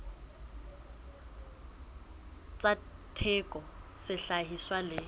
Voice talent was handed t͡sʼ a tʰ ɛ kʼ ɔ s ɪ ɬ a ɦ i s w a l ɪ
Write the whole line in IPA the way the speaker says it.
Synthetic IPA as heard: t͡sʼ a tʰ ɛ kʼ ɔ s ɪ ɬ a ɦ i s w a l ɪ